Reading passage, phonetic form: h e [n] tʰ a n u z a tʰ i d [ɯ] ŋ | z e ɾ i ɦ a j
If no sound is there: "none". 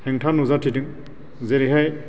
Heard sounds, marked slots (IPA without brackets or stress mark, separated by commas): ŋ, ɯ